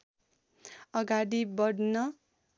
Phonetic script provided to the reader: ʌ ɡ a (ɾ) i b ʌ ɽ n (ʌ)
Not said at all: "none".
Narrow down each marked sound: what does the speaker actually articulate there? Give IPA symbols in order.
ɽ, ʌ

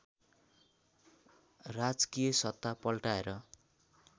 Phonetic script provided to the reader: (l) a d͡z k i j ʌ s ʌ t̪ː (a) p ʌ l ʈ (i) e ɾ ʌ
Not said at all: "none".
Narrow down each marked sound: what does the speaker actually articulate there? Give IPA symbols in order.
r, a, a

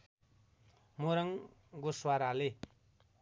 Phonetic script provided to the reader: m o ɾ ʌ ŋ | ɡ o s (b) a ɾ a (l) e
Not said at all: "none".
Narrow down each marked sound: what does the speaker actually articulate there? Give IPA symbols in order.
w, l

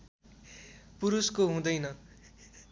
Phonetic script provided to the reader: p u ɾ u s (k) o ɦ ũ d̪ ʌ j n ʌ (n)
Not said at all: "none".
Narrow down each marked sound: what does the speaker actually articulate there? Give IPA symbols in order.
k, none

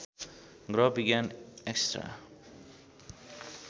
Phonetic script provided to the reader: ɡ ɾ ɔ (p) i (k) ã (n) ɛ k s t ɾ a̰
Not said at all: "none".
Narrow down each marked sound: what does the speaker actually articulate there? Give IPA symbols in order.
b, ɡ, n

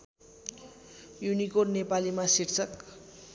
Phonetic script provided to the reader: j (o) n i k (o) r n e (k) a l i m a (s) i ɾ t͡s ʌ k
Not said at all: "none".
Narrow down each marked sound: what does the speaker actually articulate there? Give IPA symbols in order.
u, o, p, s

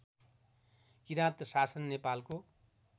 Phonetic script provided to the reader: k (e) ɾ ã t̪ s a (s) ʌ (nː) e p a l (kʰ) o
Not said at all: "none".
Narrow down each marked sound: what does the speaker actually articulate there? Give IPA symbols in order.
i, s, nː, k

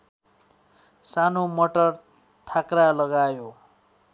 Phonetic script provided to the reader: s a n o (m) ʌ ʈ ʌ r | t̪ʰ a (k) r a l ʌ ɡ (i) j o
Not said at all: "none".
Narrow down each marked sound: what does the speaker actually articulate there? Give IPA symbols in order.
m, k, a

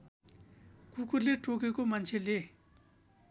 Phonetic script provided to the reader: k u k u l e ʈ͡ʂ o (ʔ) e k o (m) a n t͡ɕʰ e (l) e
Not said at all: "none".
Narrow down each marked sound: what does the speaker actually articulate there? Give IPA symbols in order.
k, m, l

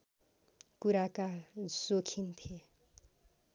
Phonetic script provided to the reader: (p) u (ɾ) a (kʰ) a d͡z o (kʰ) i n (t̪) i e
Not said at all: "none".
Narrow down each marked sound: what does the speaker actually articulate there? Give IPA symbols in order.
k, ɾ, k, kʰ, t̪ʰ

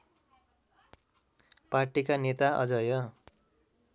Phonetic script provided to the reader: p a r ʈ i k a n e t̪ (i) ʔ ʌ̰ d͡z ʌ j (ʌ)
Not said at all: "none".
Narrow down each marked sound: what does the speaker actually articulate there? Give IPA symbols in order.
a, ʌ

